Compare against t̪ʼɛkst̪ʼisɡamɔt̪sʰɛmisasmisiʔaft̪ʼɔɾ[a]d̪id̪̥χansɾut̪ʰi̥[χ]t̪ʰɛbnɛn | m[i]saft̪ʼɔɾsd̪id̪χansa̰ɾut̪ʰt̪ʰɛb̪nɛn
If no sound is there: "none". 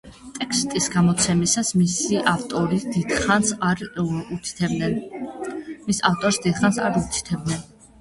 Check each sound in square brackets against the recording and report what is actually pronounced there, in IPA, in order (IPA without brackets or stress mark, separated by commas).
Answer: i, none, i